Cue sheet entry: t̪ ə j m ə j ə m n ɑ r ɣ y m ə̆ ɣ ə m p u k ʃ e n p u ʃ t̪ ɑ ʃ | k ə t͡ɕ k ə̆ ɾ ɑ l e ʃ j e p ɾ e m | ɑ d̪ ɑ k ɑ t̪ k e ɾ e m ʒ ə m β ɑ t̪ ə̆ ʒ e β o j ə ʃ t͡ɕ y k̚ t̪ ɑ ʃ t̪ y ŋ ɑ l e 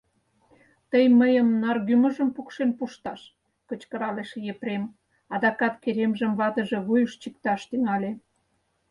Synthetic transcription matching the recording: t̪ ə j m ə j ə m n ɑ r ɣ y m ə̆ ʒ ə m p u k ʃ e n p u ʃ t̪ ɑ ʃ | k ə t͡ɕ k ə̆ ɾ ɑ l e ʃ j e p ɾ e m | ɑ d̪ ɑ k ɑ t̪ k e ɾ e m ʒ ə m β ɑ t̪ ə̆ ʒ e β u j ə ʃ t͡ɕ i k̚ t̪ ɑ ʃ t̪ y ŋ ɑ l e